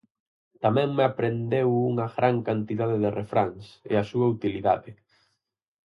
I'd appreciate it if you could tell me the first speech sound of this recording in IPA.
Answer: t̪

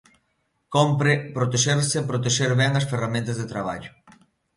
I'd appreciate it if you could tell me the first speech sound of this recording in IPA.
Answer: k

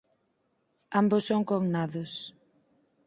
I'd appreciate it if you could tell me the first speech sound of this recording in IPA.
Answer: a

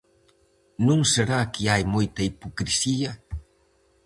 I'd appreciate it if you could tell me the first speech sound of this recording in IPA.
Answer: n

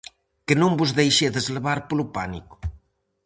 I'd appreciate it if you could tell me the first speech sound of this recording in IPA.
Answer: k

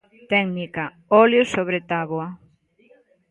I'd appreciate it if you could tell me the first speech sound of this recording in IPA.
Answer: t̪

